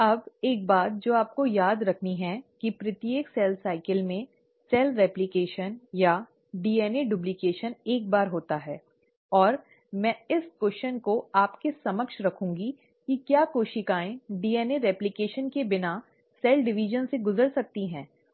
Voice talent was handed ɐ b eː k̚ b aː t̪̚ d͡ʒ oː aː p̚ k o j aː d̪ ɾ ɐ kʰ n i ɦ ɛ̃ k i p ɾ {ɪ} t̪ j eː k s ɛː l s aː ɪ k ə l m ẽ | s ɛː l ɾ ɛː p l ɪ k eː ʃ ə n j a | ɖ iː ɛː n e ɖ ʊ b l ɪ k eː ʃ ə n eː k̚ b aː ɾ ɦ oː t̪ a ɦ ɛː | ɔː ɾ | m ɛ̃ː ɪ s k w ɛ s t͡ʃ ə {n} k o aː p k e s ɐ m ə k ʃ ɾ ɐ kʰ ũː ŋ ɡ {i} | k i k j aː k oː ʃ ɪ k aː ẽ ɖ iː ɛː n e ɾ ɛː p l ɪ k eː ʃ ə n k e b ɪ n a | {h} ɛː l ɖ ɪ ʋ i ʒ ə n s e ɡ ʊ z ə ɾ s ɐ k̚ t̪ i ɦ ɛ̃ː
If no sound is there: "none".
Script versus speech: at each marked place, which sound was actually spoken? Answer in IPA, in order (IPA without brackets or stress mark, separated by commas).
ɪ, n, i, s